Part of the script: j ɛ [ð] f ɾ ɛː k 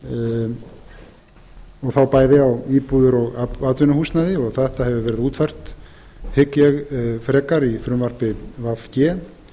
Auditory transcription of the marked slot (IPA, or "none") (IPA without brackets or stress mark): ɣ